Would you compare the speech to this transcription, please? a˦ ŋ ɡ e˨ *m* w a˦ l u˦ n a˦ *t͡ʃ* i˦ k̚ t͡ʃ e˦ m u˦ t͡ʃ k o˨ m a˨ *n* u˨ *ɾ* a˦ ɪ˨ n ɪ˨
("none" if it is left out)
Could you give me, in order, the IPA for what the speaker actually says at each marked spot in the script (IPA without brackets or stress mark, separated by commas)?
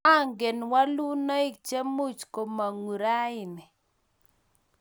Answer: n, none, ŋ, ɾ